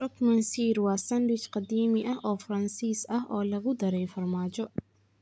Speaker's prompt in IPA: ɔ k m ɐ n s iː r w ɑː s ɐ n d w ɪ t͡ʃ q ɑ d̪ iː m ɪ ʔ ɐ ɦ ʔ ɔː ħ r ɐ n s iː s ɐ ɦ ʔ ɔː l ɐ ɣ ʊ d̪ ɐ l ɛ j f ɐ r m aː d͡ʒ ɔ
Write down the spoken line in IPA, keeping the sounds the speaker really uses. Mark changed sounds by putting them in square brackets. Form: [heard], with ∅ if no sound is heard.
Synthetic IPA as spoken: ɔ k m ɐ n s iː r w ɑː s ɐ n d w ɪ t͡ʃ q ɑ d̪ iː m ɪ ʔ ɐ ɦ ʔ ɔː [f] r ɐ n s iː s ɐ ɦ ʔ ɔː l ɐ ɣ ʊ d̪ ɐ [ɾ] ɛ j f ɐ r m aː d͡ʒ ɔ